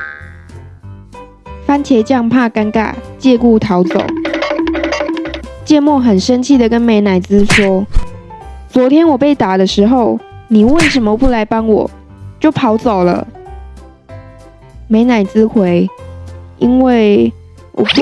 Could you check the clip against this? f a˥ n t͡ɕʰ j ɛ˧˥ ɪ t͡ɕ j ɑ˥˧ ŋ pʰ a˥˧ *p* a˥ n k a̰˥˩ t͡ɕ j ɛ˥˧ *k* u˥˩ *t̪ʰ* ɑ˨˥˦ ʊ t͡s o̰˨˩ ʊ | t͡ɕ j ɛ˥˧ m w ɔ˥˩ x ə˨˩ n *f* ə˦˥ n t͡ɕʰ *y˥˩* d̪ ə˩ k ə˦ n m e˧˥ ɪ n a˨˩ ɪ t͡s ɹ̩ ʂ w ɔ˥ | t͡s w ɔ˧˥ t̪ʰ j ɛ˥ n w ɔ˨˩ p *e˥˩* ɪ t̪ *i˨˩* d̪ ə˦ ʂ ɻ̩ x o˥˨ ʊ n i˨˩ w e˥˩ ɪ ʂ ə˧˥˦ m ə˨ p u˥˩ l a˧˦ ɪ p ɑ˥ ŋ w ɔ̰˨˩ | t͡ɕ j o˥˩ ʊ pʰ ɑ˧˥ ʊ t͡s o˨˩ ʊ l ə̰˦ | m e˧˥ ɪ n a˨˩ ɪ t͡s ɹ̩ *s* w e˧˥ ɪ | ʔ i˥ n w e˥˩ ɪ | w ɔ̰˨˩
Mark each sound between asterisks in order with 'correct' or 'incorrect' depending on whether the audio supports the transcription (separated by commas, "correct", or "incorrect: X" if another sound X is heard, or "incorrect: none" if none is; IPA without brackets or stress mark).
incorrect: k, correct, correct, incorrect: ʂ, incorrect: i˥˩, correct, incorrect: a˨˩, incorrect: x